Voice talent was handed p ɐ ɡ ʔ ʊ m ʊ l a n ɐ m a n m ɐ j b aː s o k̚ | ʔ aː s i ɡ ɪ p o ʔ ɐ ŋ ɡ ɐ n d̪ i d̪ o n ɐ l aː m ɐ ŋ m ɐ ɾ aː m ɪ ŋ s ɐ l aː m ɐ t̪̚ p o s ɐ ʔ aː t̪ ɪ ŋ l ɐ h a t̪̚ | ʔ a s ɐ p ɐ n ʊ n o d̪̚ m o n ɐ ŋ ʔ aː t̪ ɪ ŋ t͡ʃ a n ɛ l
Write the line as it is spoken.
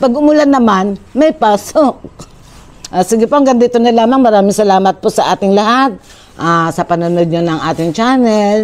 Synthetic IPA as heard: p ɐ ɡ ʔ ʊ m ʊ l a n ɐ m a n m ɐ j p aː s o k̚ | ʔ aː s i ɡ ɪ p o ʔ ɐ ŋ ɡ ɐ n d̪ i t̪ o n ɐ l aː m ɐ ŋ m ɐ ɾ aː m ɪ ŋ s ɐ l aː m ɐ t̪̚ p o s ɐ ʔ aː t̪ ɪ ŋ l ɐ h a t̪̚ | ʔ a s ɐ p ɐ n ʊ n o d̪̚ ɲ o n ɐ ŋ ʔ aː t̪ ɪ ŋ t͡ʃ a n ɛ l